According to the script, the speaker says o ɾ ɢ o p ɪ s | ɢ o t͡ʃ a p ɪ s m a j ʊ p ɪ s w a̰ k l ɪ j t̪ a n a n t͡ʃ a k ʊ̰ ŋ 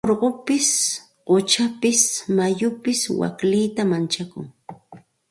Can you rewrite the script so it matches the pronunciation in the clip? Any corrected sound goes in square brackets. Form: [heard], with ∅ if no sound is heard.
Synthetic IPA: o ɾ ɢ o p ɪ s | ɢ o t͡ʃ a p ɪ s m a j ʊ p ɪ s w a̰ k l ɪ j t̪ a [m] a n t͡ʃ a k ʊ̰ ŋ